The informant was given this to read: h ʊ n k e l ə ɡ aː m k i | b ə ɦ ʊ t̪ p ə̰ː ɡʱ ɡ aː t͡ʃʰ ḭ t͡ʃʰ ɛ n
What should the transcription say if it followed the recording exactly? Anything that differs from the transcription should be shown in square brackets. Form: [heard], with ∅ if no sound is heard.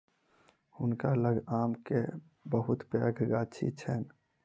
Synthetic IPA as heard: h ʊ n k [a] l ə ɡ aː m k [e] | b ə ɦ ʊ t̪ p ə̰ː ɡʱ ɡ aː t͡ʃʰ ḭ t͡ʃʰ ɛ n